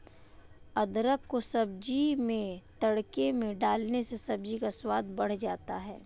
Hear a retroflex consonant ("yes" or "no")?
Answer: yes